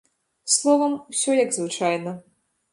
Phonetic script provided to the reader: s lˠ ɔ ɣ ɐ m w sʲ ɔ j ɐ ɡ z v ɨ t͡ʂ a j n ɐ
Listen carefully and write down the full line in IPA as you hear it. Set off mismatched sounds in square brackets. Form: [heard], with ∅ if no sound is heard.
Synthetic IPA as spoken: s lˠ ɔ [v] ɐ m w sʲ ɔ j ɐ ɡ z v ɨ t͡ʂ a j n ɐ